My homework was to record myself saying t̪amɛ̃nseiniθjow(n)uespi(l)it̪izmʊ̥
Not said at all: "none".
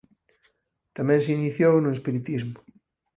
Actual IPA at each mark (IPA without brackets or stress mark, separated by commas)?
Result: n, ɾ